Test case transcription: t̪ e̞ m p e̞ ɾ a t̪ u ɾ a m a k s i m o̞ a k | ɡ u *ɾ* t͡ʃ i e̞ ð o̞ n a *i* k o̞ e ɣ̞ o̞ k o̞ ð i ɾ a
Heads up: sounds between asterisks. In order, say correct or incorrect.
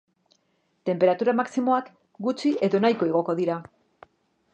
incorrect: none, incorrect: j

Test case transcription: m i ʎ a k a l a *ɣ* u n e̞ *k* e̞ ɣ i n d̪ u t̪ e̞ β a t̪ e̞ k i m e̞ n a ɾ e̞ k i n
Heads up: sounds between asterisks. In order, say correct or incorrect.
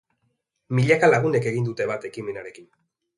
correct, correct

